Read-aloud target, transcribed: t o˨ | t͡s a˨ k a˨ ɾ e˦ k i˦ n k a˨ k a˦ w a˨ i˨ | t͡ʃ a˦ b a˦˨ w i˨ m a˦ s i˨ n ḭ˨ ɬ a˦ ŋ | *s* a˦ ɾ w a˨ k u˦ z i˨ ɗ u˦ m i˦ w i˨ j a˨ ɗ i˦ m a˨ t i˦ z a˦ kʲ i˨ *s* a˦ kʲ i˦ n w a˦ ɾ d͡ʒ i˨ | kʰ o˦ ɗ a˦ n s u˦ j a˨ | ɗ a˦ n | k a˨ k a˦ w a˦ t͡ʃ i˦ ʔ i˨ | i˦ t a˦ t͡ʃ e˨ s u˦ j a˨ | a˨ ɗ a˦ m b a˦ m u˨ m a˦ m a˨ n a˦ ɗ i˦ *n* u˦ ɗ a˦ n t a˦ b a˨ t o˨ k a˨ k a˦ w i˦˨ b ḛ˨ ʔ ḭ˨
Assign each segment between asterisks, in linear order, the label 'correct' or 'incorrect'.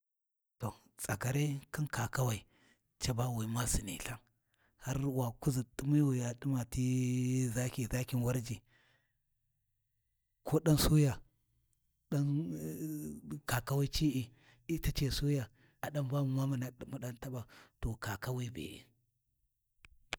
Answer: incorrect: h, incorrect: z, incorrect: m

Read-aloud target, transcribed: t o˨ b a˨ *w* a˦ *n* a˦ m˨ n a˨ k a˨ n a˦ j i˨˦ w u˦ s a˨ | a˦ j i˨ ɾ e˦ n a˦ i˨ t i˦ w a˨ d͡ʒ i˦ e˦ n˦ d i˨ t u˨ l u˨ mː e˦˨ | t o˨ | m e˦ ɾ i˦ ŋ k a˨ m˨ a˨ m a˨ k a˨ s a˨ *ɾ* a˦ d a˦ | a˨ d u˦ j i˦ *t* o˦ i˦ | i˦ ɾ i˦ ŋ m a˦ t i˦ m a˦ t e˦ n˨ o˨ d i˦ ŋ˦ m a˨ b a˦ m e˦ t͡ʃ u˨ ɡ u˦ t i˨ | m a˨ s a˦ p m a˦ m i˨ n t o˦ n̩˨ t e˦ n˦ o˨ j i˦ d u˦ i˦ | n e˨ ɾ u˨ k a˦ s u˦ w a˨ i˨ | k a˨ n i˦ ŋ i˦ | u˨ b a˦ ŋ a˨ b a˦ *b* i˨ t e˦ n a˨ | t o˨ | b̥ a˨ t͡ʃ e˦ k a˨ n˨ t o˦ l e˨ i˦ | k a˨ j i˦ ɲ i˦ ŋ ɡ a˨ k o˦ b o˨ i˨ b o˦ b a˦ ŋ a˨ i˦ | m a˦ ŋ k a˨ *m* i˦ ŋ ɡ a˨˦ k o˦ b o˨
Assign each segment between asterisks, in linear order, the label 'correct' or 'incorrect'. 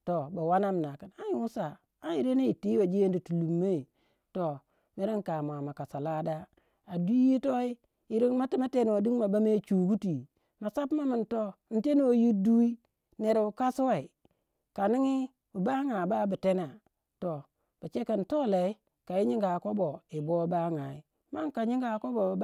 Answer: correct, correct, incorrect: l, correct, correct, incorrect: ɲ

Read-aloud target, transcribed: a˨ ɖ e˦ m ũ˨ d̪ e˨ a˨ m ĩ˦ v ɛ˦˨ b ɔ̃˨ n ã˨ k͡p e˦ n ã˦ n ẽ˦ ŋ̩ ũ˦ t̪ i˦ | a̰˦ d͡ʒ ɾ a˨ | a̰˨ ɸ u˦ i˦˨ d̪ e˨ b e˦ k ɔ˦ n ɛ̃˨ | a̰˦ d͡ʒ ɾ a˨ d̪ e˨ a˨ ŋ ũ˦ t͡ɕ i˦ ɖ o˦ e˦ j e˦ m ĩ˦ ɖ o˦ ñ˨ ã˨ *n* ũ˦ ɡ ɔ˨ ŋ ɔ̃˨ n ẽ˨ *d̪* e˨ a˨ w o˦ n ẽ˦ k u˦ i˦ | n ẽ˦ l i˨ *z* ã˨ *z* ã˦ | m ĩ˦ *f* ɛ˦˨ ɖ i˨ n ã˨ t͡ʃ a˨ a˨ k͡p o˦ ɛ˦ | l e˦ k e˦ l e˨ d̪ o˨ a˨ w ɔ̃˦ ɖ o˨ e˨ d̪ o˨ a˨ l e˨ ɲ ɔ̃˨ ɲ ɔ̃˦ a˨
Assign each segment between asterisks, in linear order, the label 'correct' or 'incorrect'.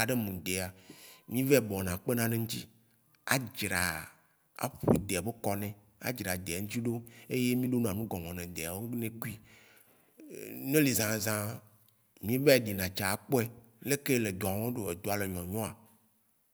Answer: correct, correct, correct, correct, incorrect: v

